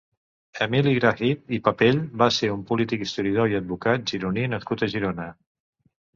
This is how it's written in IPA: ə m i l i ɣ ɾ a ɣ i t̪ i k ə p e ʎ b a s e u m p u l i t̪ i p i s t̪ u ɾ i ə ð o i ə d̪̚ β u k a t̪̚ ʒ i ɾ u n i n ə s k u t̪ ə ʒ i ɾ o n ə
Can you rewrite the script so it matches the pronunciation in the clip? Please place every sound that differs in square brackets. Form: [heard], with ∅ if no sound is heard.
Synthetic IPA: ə m i l i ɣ ɾ a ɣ i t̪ i [p] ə p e ʎ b a s e u m p u l i t̪ i [k] i s t̪ u ɾ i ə ð o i ə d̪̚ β u k a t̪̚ ʒ i ɾ u n i n ə s k u t̪ ə ʒ i ɾ o n ə